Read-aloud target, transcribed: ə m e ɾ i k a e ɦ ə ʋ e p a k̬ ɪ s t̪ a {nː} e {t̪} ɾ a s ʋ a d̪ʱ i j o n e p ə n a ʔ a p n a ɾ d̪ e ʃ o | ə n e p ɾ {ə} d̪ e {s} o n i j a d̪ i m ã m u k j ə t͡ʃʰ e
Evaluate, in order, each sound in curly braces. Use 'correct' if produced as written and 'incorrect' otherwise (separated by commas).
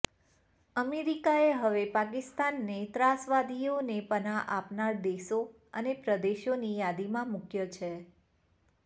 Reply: correct, correct, correct, incorrect